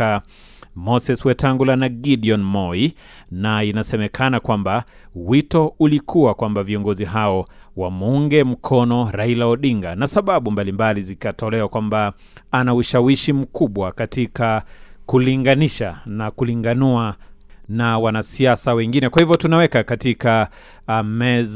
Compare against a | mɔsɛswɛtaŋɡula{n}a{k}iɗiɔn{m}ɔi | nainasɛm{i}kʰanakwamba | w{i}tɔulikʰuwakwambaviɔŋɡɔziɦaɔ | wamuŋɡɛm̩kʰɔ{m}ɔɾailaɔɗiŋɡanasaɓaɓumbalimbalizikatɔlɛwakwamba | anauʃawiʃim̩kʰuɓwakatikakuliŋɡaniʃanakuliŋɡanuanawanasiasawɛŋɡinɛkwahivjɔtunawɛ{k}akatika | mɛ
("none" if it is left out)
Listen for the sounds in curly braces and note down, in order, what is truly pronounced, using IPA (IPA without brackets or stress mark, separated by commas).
n, ɡ, m, ɛ, i, n, k